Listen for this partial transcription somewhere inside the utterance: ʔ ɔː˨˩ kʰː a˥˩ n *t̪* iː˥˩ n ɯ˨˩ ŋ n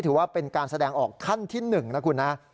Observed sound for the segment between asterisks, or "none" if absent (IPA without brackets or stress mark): t̪ʰ